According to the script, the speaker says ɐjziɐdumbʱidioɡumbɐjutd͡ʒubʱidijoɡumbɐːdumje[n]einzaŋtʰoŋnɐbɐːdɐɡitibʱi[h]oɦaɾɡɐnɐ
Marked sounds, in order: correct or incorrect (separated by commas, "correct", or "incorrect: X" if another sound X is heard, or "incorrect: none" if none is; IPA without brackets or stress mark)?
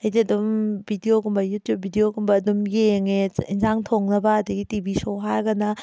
incorrect: ŋ, incorrect: s